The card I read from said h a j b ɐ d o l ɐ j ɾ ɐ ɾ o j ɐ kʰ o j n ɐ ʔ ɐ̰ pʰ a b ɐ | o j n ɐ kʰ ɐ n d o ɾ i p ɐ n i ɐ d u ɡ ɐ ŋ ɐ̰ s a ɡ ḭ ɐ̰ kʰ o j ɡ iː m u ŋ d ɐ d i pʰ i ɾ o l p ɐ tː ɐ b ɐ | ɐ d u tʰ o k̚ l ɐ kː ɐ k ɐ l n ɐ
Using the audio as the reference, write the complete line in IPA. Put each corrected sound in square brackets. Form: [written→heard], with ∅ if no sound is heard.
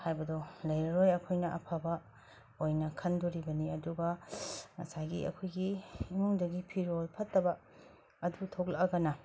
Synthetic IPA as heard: h a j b ɐ d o l ɐ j ɾ ɐ ɾ o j ɐ kʰ o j n ɐ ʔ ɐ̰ pʰ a b ɐ | o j n ɐ kʰ ɐ n d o ɾ i [p→b] ɐ n i ɐ d u ɡ ɐ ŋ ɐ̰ s a ɡ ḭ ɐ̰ kʰ o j ɡ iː m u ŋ d ɐ [d→ɡ] i pʰ i ɾ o l [p→pʰ] ɐ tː ɐ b ɐ | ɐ d u tʰ o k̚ l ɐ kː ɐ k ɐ [l→∅] n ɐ